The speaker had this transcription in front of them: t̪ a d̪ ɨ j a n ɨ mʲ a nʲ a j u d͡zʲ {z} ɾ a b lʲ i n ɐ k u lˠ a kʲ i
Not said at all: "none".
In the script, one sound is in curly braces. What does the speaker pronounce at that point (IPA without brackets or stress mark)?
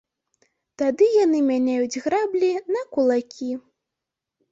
ɣ